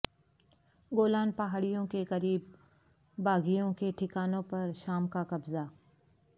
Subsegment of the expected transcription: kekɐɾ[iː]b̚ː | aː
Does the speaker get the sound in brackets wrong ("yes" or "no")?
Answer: no